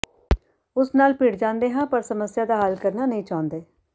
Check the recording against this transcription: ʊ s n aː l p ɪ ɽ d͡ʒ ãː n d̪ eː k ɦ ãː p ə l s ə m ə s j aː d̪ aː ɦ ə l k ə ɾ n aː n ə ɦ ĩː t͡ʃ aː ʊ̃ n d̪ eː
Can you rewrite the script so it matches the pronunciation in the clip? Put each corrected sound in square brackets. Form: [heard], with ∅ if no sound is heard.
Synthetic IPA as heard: ʊ s n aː l p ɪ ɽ d͡ʒ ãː n d̪ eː [∅] ɦ ãː p ə [ɾ] s ə m ə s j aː d̪ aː ɦ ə l k ə ɾ n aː n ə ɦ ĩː t͡ʃ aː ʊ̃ n d̪ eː